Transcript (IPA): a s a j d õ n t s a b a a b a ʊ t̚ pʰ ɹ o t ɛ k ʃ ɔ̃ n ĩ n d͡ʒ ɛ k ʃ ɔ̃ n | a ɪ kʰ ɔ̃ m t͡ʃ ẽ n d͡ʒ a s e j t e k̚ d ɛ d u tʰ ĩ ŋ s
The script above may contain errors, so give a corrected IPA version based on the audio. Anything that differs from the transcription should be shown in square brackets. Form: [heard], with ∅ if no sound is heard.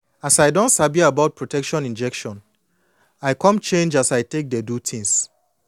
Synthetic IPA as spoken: a s a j d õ n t s a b [i] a b a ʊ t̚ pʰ ɹ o t ɛ k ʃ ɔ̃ n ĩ n d͡ʒ ɛ k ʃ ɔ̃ n | a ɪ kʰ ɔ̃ m t͡ʃ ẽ n d͡ʒ a s [a] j t e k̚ d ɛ d u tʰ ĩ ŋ s